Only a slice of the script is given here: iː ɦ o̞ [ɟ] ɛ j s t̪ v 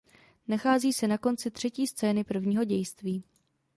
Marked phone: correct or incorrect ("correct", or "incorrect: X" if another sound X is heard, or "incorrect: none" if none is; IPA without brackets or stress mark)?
correct